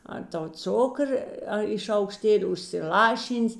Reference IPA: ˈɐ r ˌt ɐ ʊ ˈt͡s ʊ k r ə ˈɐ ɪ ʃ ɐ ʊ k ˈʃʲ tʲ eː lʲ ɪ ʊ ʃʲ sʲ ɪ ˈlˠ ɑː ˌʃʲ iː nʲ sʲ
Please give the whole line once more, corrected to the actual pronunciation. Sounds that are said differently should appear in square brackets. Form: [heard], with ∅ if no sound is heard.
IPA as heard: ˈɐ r ˌt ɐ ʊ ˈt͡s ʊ k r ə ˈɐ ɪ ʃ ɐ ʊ k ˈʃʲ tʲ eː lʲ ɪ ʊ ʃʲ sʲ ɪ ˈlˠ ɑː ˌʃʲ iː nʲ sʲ